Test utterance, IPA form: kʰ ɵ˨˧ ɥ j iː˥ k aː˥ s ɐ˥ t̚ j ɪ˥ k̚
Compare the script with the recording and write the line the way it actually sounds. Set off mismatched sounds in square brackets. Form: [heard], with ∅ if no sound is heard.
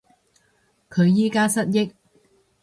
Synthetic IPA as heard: kʰ ɵ˨˧ ɥ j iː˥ k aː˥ s ɐ˥ t̚ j ɪ˥ k̚